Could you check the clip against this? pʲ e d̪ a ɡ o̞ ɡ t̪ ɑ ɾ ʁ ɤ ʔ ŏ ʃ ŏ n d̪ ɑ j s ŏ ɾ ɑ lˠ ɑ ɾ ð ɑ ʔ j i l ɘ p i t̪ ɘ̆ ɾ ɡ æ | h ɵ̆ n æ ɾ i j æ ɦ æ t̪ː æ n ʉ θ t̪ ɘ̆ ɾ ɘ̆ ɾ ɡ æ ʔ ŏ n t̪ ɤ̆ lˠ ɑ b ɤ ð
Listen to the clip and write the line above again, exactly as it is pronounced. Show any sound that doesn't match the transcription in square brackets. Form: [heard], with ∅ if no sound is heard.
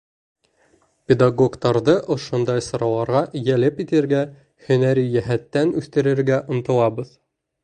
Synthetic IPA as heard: pʲ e d̪ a ɡ o̞ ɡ t̪ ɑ ɾ [ð] ɤ ʔ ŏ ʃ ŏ n d̪ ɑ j s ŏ ɾ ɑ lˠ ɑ ɾ [ʁ] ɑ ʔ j [æ] l ɘ p i t̪ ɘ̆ ɾ ɡ æ | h ɵ̆ n æ ɾ i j æ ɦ æ t̪ː æ n ʉ θ t̪ ɘ̆ ɾ ɘ̆ ɾ ɡ æ ʔ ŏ n t̪ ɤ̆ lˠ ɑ b ɤ ð